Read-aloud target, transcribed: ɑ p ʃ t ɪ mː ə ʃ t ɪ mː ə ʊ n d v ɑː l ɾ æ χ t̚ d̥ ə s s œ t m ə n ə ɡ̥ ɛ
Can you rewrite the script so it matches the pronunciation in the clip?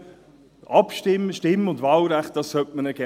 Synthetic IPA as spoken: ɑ p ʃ t ɪ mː ə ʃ t ɪ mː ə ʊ n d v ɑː l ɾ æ χ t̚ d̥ ɑ s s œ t m ə n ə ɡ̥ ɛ